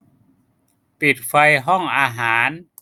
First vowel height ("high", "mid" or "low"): high